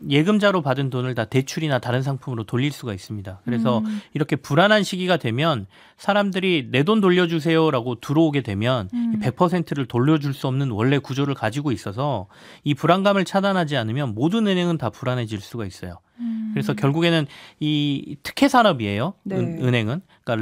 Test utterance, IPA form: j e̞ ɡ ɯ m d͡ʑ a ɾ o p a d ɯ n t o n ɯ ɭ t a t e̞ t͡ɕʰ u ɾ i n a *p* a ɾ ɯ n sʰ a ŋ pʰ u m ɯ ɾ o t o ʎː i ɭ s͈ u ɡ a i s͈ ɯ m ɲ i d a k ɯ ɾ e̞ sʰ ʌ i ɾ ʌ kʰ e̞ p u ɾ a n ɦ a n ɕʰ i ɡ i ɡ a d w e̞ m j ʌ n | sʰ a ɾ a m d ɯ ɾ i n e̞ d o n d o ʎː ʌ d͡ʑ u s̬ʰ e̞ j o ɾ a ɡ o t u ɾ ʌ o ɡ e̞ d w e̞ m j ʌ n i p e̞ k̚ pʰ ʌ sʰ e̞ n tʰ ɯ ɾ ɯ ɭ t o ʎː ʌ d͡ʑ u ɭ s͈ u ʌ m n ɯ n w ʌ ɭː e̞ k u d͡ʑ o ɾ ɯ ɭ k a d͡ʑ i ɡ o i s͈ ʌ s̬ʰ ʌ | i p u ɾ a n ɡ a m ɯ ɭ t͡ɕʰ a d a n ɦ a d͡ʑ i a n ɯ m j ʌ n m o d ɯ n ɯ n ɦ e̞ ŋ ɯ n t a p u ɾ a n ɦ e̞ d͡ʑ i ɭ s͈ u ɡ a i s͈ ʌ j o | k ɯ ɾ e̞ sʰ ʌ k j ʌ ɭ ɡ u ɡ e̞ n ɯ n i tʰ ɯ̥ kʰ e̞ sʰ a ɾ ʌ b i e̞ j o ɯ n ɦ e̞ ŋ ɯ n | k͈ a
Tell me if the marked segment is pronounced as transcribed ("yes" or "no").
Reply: no